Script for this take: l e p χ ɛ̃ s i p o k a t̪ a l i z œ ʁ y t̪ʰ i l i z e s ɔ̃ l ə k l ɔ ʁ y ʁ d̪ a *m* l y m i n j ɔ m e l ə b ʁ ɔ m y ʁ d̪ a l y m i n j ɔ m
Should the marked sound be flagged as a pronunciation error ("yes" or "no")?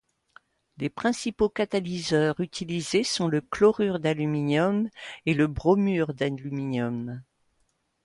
yes